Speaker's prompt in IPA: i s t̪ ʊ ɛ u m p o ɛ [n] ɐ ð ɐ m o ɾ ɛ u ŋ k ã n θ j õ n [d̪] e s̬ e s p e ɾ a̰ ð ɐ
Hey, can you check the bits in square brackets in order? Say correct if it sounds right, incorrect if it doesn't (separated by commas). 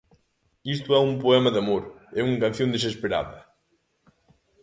incorrect, correct